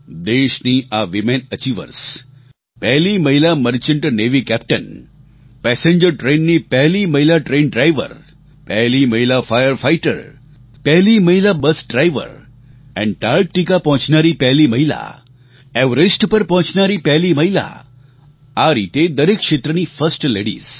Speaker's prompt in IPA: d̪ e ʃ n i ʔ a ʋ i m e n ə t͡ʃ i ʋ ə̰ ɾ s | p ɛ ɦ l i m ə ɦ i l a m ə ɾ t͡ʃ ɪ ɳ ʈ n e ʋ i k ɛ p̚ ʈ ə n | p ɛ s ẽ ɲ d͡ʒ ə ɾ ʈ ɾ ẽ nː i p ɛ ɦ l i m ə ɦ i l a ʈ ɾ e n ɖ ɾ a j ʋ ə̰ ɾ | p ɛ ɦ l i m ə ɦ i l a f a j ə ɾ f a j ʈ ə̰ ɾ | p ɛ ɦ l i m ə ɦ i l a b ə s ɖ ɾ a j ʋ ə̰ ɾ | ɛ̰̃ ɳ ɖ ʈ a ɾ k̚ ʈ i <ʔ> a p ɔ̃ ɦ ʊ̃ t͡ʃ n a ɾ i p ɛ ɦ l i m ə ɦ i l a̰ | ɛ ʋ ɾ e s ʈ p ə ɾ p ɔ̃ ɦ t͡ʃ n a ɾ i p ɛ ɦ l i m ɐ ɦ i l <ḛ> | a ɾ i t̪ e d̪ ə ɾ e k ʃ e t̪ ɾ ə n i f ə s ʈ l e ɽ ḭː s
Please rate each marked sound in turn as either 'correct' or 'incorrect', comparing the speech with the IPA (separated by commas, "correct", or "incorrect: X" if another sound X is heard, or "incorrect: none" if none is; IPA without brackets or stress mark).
incorrect: k, incorrect: a̰